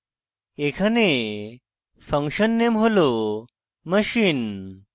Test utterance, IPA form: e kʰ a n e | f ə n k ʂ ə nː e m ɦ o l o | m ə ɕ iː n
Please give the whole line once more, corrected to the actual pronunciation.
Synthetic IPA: e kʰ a n e | f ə ŋ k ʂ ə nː e m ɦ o l o | m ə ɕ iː n